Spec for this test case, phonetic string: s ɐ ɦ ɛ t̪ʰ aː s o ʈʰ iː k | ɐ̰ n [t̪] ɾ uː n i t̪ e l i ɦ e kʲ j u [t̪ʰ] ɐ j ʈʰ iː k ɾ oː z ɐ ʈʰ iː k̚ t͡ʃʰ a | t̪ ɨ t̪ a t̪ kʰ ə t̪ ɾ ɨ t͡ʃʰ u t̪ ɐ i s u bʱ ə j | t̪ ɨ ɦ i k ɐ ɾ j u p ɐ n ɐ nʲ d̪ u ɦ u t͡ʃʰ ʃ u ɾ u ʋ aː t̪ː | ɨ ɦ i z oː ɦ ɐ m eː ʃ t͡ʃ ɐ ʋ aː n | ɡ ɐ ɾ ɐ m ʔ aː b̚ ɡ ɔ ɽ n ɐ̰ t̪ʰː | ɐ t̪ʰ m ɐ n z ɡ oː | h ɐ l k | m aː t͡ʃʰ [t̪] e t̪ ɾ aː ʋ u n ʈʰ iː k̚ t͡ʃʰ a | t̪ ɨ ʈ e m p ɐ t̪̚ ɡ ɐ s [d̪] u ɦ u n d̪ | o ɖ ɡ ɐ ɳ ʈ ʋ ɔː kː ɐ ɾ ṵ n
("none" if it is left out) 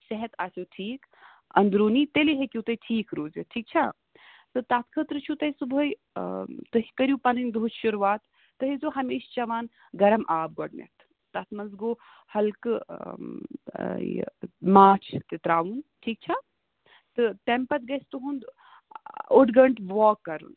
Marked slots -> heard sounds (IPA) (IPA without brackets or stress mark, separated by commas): d̪, t̪, t̪, t̪